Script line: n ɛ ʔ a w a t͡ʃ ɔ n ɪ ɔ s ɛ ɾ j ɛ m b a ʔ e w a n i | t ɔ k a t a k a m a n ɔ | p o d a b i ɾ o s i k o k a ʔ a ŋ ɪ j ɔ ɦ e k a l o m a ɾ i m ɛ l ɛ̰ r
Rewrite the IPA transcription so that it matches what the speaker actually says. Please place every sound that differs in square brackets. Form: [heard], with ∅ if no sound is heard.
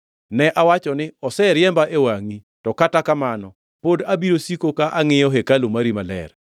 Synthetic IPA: n ɛ ʔ a w a t͡ʃ ɔ n ɪ ɔ s ɛ ɾ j ɛ m b a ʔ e w a [ŋ] i | t ɔ k a t a k a m a n ɔ | p o d a b i ɾ o s i k o k a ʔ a ŋ ɪ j ɔ ɦ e k a l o m a ɾ i m [a] l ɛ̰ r